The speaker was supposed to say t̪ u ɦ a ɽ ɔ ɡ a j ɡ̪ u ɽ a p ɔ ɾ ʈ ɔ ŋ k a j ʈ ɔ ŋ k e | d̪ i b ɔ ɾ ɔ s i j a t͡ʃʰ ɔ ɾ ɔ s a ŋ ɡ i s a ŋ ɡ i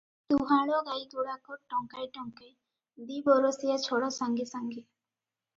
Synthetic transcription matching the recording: t̪ u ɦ a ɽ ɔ ɡ a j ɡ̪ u ɽ a k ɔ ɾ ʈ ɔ ŋ k a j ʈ ɔ ŋ k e | d̪ i b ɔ ɾ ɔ s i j a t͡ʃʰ ɔ ɽ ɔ s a ŋ ɡ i s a ŋ ɡ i